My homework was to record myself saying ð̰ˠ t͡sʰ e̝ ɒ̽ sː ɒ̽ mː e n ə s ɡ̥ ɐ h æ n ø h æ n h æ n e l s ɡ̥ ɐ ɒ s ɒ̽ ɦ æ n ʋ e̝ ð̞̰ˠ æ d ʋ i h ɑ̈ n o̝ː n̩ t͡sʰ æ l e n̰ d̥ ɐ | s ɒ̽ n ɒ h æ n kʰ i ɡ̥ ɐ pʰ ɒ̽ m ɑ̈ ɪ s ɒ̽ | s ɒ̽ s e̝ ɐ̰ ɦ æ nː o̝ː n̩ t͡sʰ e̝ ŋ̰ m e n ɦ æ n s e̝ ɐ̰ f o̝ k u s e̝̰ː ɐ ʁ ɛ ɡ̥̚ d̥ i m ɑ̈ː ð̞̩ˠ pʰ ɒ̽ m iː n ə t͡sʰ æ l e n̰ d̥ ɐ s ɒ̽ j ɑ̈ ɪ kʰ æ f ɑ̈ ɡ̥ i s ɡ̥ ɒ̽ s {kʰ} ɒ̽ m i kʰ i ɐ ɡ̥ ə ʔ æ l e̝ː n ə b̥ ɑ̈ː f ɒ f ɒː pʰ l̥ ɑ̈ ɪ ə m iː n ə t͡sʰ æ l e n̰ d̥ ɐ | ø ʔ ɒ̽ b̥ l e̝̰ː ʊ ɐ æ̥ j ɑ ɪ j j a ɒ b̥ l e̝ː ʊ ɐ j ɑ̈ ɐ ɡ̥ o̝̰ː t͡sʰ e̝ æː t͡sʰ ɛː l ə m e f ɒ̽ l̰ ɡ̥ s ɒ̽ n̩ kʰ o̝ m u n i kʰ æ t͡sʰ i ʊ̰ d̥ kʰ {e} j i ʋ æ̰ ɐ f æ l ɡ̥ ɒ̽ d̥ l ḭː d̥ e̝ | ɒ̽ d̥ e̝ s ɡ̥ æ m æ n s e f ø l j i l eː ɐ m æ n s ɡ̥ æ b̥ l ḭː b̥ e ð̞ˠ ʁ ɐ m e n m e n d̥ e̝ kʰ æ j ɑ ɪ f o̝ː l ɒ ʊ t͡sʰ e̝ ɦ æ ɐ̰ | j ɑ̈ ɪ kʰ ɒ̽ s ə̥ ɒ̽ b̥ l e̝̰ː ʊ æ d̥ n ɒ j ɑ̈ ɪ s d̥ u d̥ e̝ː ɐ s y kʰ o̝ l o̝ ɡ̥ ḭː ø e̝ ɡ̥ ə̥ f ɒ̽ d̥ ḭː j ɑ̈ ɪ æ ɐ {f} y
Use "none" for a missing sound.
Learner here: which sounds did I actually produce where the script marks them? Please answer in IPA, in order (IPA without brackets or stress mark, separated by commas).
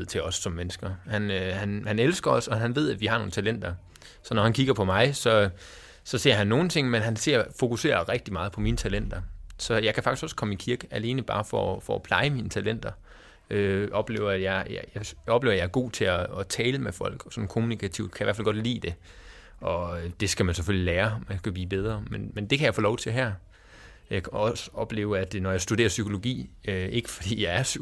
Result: kʰ, æ, s